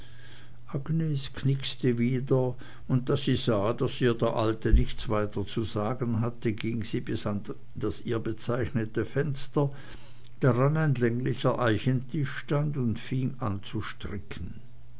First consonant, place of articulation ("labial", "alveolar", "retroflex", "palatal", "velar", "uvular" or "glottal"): glottal